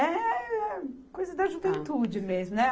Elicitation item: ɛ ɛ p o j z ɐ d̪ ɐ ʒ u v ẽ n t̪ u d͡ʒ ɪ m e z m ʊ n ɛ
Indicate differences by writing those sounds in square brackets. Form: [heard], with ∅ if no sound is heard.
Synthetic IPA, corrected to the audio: ɛ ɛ [k] o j z ɐ d̪ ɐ ʒ u v ẽ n t̪ u d͡ʒ ɪ m e z m ʊ n ɛ